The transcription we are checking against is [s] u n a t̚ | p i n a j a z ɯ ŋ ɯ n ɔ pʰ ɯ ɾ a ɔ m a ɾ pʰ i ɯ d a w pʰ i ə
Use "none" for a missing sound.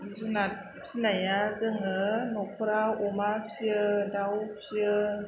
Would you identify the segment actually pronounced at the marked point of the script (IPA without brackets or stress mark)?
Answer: z